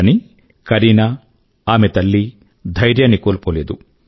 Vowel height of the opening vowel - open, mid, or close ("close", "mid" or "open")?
close